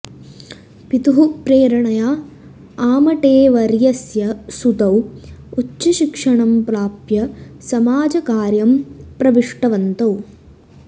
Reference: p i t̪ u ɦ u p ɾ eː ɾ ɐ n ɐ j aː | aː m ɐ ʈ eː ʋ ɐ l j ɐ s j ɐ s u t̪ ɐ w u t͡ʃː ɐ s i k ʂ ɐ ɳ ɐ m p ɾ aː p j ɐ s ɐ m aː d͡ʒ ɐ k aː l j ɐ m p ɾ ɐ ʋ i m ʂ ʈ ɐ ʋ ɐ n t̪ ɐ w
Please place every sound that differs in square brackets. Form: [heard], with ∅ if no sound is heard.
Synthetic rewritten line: p i t̪ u ɦ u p ɾ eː ɾ ɐ [ɳ] ɐ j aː | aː m ɐ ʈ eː ʋ ɐ [ɾ] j ɐ s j ɐ s u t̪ ɐ w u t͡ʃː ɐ [ʃ] i k ʂ ɐ ɳ ɐ m p ɾ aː p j ɐ s ɐ m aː d͡ʒ ɐ k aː [ɾ] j ɐ m p ɾ ɐ ʋ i [∅] ʂ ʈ ɐ ʋ ɐ n t̪ ɐ w